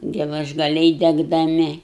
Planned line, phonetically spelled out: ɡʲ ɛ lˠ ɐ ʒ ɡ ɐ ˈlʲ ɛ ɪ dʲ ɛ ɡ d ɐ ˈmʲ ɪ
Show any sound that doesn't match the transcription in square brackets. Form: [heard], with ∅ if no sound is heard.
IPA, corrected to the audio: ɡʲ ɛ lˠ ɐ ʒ ɡ ɐ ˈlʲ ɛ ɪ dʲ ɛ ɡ d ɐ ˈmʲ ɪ